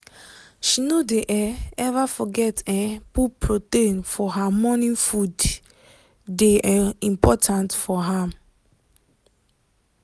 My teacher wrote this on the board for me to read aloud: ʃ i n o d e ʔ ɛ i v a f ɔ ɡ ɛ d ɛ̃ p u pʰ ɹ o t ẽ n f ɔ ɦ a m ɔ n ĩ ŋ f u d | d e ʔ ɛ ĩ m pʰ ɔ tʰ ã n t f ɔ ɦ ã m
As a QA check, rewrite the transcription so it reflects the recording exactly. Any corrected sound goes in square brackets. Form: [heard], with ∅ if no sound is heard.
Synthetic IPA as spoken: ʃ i n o d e ʔ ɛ [ɛ] v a f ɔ ɡ ɛ [t] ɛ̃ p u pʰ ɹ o t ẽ n f ɔ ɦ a m ɔ n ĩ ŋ f u d | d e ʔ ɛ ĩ m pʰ ɔ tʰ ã n t f ɔ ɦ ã m